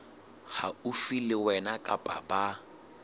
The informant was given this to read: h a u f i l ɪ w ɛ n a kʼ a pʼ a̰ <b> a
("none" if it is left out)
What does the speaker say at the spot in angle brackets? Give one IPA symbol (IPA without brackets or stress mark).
b